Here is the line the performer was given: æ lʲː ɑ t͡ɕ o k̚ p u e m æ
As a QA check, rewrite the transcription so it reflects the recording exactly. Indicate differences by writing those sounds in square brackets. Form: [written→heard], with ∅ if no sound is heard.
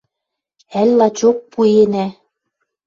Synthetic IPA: æ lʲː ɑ t͡ɕ o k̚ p u e [m→n] æ